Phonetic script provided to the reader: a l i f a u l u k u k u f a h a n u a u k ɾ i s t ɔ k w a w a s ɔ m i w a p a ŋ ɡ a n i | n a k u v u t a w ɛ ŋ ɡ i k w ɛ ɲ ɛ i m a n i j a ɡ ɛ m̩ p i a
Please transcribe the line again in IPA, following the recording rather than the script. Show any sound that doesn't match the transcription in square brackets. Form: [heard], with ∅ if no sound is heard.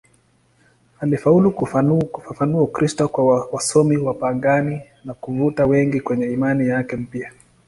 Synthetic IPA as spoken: a l i f a u l u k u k u f a [f] a n u a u k ɾ i s t ɔ k w a w a s ɔ m i w a p a ŋ ɡ a n i | n a k u v u t a w ɛ ŋ ɡ i k w ɛ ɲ ɛ i m a n i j a [k] ɛ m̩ p i a

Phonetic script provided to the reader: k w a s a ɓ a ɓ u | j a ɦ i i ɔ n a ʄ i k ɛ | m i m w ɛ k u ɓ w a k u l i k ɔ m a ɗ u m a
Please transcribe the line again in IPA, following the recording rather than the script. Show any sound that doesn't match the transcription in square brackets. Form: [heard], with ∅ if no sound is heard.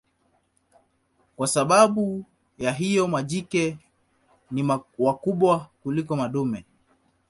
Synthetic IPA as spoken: k w a s a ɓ a ɓ u | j a ɦ i [j] ɔ [m] a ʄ i k ɛ | [n] i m w [a] k u ɓ w a k u l i k ɔ m a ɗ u m [ɛ]

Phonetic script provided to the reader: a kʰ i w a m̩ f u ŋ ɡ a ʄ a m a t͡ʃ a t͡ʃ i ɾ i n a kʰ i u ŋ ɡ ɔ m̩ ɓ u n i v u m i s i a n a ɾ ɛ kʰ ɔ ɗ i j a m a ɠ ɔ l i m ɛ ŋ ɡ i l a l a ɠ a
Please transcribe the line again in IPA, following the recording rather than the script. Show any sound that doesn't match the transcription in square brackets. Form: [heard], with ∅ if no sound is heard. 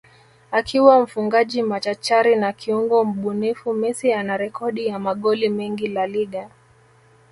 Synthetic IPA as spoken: a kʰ i w a m̩ f u ŋ ɡ a ʄ [i] m a t͡ʃ a t͡ʃ [a] ɾ i n a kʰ i u ŋ ɡ ɔ m̩ ɓ u n i [f] u m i s i a n a ɾ ɛ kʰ ɔ ɗ i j a m a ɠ ɔ l i m ɛ ŋ ɡ i l a l [i] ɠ a

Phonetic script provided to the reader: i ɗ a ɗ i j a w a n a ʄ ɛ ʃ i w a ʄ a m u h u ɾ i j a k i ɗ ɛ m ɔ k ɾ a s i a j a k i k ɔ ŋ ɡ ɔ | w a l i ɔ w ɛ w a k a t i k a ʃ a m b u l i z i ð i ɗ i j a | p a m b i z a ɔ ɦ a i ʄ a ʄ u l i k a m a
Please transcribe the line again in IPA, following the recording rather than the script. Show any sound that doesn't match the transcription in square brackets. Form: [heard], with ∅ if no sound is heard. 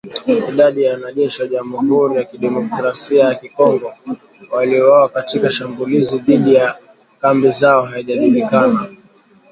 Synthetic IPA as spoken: i ɗ a ɗ i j a w a n a ʄ ɛ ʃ i w a ʄ a m u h u ɾ i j a k i ɗ ɛ m ɔ k ɾ a s i a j a k i k ɔ ŋ ɡ ɔ | w a l i ɔ w [a] w a k a t i k a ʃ a m b u l i z i ð i ɗ i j a | [k] a m b i z a ɔ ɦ a i ʄ a ʄ u l i k a [n] a

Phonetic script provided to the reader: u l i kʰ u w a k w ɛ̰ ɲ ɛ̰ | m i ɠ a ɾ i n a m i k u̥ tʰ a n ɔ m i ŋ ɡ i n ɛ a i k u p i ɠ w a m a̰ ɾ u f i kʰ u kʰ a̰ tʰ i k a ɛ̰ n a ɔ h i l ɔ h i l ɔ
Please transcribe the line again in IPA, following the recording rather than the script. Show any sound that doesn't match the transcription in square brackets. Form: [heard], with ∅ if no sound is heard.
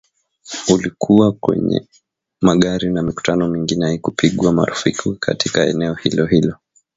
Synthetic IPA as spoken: u l i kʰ u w a k w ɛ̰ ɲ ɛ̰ | m [a] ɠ a ɾ i n a m i k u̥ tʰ a n ɔ m i ŋ ɡ i n ɛ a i k u p i ɠ w a m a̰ ɾ u f i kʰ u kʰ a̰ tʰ i k a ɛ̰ n [ɛ] ɔ h i l ɔ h i l ɔ

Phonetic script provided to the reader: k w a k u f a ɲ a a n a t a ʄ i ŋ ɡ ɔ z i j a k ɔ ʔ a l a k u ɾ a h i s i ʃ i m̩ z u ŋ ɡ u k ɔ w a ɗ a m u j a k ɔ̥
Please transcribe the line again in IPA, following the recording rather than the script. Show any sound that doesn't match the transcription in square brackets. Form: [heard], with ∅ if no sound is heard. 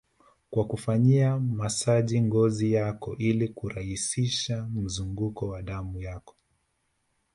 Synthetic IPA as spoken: k w a k u f a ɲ [i] a [m] a [s] a ʄ i ŋ ɡ ɔ z i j a k ɔ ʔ [i] l [i] k u ɾ a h i s i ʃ [a] m̩ z u ŋ ɡ u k ɔ w a ɗ a m u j a k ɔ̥

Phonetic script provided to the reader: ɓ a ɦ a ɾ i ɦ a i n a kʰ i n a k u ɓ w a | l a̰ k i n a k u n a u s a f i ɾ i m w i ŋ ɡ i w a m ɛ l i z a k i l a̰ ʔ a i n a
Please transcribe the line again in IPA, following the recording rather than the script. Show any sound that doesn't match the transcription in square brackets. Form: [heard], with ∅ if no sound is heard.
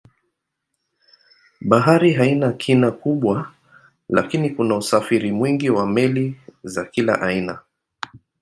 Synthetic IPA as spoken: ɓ a ɦ a ɾ i ɦ a i n a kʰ i n a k u ɓ w a | l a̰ k i n [i] k u n a u s a f i ɾ i m w i ŋ ɡ i w a m ɛ l i z a k i l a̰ ʔ a i n a

